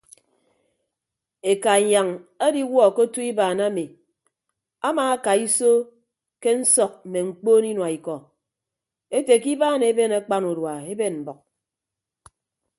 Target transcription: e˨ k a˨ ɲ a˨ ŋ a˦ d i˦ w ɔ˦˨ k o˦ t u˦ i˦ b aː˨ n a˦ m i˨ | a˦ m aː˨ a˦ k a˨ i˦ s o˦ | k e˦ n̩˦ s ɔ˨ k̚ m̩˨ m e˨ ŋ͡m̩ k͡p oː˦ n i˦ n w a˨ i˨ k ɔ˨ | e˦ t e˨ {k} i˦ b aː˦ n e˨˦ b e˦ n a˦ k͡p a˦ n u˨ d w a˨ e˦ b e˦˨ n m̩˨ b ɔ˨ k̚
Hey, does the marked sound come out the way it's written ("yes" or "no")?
yes